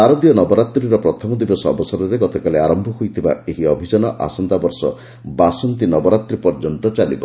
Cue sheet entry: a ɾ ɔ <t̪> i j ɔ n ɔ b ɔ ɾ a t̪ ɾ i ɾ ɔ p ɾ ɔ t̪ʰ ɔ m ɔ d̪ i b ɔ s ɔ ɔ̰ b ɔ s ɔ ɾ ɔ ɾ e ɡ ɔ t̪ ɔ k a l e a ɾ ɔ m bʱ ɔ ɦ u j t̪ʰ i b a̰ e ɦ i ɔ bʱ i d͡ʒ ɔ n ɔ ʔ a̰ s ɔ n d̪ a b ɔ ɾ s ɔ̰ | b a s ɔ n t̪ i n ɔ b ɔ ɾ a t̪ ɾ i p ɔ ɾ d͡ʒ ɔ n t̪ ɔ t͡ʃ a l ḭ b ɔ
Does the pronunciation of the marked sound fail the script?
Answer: yes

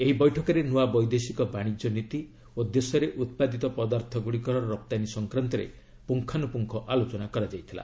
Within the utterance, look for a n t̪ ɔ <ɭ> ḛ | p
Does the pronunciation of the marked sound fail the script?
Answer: yes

